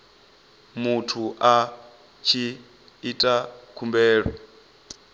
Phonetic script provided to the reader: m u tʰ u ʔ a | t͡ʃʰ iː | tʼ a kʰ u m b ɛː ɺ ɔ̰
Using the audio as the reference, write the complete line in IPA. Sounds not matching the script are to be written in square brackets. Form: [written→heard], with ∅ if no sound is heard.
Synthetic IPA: m u tʰ u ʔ a | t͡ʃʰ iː | tʼ a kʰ u m b ɛː ɺ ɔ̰